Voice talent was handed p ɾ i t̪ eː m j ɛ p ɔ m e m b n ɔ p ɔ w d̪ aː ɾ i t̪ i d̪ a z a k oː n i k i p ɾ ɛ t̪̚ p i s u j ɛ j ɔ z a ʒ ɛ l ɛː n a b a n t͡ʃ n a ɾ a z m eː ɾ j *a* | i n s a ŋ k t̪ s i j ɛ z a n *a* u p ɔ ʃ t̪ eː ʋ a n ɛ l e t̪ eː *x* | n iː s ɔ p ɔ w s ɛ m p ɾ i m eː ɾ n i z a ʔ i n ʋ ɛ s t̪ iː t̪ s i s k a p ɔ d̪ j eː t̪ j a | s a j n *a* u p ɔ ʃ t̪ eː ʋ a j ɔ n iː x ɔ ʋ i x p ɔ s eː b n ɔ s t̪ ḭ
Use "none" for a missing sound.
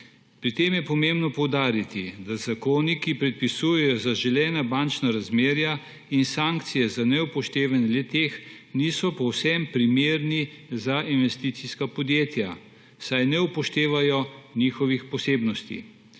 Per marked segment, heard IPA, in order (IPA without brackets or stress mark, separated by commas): a, ɛ, x, ɛ